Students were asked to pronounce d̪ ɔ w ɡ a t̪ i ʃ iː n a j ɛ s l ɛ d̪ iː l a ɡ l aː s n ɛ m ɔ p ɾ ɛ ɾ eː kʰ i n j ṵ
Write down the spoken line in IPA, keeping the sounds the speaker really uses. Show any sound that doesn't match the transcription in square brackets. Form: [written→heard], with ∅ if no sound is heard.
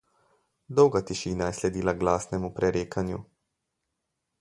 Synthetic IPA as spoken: d̪ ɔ w ɡ a t̪ i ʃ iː n a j ɛ s l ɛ d̪ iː l a ɡ l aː s n ɛ m [ɔ→u] p ɾ ɛ ɾ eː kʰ [i→a] n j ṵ